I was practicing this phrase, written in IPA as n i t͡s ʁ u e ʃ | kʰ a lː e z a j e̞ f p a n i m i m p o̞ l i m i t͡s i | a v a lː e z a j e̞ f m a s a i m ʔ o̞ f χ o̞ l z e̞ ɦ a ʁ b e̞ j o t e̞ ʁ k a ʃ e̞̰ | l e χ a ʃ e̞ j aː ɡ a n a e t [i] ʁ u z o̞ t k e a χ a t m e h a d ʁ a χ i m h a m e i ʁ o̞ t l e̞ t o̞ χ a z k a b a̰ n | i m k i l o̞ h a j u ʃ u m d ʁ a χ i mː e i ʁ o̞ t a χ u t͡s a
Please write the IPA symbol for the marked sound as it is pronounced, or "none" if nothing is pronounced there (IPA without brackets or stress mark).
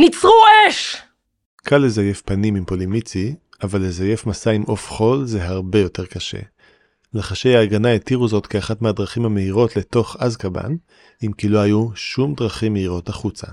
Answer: i